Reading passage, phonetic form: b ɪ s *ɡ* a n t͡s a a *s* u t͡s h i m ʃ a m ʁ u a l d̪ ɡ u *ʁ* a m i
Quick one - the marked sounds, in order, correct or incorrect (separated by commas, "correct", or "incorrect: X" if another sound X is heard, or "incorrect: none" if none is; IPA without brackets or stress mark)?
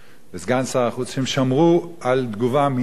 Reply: correct, incorrect: χ, incorrect: v